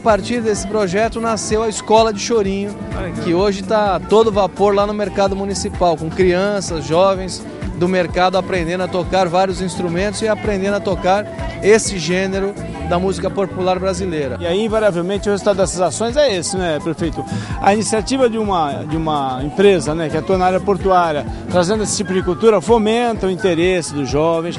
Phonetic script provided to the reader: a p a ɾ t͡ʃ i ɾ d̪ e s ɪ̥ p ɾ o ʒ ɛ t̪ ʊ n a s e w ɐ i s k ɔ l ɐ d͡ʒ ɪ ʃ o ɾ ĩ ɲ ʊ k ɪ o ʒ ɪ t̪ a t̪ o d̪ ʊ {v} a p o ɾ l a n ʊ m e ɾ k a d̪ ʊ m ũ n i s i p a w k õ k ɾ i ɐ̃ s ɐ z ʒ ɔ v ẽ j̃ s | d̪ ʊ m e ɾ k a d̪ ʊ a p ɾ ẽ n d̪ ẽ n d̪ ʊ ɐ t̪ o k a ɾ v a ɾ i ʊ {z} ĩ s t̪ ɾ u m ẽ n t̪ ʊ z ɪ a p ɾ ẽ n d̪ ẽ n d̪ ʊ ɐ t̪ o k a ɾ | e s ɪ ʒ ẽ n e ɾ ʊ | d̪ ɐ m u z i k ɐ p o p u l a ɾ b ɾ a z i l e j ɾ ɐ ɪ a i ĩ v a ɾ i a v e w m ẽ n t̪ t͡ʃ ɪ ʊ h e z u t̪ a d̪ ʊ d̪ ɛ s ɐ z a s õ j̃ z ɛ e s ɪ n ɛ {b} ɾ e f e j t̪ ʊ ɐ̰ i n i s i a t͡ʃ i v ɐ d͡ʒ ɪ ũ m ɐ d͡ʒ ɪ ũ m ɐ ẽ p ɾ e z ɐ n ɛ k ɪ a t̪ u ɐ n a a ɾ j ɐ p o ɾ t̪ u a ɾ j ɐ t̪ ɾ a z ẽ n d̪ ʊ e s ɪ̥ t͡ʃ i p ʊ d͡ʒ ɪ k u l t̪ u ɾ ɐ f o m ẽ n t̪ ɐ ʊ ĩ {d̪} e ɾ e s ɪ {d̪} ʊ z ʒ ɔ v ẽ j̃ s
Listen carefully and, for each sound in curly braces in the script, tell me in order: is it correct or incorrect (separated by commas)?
correct, correct, incorrect, incorrect, correct